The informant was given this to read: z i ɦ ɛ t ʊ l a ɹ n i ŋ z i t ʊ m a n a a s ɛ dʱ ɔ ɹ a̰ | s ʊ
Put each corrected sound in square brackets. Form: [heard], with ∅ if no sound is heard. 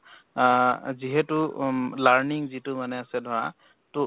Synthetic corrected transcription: z i ɦ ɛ t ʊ l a ɹ n i ŋ z i t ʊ m a n [ɛ] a s ɛ dʱ ɔ ɹ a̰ | [t] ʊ